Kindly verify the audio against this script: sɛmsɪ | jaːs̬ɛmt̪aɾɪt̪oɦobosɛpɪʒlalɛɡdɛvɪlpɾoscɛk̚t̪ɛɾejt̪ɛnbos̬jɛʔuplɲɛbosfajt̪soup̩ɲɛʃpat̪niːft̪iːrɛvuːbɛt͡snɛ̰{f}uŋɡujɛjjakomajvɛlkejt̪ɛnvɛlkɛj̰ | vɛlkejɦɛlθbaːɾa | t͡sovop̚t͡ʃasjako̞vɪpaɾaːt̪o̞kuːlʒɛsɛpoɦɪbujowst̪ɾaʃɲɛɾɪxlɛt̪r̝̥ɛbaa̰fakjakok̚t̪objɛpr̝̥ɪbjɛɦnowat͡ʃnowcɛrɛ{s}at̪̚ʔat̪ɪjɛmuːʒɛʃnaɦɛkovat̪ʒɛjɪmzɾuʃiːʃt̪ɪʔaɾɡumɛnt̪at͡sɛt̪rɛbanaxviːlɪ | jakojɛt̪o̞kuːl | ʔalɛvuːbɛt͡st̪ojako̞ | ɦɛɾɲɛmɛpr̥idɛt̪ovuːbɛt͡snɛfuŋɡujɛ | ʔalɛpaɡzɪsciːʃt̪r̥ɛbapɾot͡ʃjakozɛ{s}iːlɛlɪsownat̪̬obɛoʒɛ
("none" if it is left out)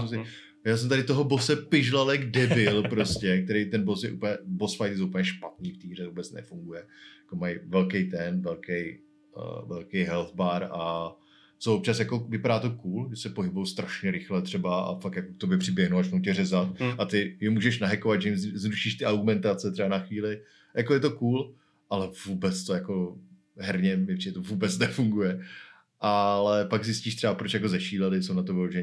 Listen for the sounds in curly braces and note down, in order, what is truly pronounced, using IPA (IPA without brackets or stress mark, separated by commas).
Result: f, z, ʃ